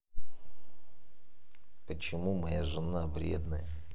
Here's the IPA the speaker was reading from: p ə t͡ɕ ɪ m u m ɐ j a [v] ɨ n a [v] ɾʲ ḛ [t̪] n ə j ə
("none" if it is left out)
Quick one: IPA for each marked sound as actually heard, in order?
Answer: ʐ, v, d̪

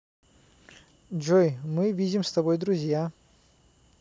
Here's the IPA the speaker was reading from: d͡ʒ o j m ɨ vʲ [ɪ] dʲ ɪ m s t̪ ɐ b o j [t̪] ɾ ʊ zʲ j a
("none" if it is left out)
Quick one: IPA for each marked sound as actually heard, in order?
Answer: i, d̪

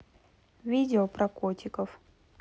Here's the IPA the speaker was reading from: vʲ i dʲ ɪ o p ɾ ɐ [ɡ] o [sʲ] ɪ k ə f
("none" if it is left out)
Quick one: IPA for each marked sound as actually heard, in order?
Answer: k, tʲ

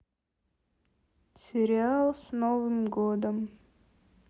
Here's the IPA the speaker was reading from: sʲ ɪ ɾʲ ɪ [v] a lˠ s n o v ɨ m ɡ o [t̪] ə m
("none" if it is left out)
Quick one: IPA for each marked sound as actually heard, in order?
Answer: none, d̪

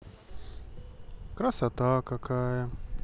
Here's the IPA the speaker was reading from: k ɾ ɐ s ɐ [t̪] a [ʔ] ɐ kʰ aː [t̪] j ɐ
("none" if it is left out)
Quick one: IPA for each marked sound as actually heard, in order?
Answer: t̪, k, none

